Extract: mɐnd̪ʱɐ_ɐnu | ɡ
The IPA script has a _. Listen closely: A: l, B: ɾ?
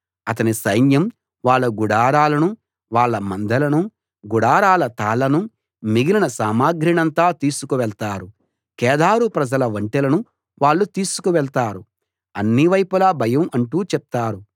A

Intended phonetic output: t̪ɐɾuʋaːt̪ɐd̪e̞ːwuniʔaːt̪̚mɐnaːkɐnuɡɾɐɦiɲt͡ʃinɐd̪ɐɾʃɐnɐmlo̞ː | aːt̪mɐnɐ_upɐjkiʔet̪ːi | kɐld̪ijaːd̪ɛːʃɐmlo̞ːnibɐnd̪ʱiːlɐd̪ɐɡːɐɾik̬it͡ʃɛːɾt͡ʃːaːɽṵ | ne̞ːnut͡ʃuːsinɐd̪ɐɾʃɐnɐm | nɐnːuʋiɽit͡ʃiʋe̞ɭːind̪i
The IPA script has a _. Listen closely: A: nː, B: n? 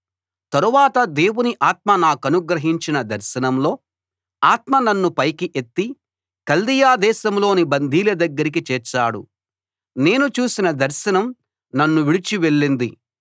A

